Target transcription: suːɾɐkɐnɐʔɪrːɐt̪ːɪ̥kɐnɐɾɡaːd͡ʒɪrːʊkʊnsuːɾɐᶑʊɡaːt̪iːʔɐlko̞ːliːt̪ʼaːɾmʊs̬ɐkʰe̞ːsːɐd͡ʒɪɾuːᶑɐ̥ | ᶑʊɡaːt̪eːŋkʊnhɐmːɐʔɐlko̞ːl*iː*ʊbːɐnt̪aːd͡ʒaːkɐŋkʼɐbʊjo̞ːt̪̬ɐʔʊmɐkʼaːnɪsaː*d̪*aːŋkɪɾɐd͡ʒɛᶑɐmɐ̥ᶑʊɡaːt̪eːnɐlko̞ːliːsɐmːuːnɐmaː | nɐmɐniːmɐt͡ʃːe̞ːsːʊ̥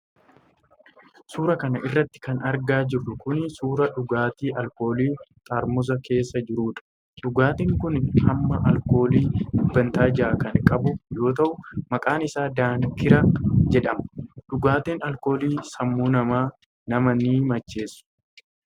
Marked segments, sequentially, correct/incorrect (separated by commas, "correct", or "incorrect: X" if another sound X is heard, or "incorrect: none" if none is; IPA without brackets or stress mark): correct, correct